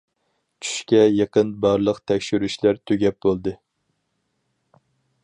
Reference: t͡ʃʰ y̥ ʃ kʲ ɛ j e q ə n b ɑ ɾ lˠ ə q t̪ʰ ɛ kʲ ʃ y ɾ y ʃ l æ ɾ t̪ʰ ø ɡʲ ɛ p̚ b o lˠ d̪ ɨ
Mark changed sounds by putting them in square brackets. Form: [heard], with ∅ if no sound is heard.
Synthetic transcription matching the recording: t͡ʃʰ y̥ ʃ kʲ ɛ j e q ə n b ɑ ɾ lˠ ə q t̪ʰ ɛ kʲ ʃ y ɾ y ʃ l æ ɾ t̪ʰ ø ɡʲ ɛ p̚ b o lˠ d̪ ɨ